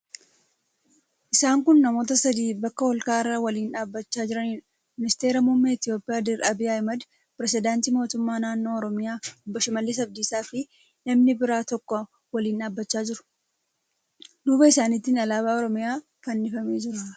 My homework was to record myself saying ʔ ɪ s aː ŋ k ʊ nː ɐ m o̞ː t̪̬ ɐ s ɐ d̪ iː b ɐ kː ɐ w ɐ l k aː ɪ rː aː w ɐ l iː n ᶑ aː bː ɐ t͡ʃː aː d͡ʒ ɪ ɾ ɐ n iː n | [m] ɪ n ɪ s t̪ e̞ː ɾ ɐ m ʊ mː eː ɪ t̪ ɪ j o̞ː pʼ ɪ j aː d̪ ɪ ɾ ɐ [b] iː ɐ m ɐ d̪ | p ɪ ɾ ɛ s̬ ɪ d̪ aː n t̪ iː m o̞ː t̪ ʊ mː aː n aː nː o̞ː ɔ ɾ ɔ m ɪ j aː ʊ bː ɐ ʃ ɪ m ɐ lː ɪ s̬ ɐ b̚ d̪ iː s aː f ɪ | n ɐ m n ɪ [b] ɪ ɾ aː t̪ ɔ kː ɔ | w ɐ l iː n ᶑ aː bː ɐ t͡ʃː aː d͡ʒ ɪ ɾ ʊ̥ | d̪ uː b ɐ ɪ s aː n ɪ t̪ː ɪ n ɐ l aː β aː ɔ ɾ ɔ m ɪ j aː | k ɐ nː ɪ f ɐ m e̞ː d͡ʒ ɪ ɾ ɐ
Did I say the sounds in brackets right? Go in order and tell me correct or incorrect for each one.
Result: correct, correct, correct

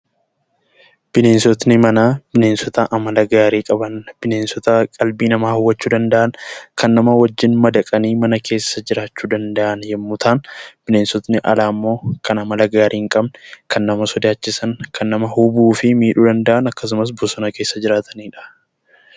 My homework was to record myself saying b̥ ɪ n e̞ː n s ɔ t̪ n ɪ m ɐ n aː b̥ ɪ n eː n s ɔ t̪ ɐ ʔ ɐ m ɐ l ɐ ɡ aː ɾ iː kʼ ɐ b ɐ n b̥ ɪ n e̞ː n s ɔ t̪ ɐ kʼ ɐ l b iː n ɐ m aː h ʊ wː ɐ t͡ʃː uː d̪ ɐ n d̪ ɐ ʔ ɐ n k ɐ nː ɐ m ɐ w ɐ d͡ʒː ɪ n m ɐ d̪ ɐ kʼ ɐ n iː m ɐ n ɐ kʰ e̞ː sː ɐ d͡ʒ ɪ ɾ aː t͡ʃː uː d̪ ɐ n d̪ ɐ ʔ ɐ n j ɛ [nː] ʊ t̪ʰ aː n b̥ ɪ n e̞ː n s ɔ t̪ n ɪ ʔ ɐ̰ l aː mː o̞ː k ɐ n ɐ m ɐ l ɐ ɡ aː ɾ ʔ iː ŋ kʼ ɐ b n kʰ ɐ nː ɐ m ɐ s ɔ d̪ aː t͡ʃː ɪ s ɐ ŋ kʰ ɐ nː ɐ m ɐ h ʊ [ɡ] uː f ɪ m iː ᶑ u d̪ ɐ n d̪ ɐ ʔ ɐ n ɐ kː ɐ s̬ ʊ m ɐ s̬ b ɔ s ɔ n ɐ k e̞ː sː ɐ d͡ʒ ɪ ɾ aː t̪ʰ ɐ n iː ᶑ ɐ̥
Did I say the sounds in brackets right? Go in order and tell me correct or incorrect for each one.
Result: incorrect: mː, incorrect: b

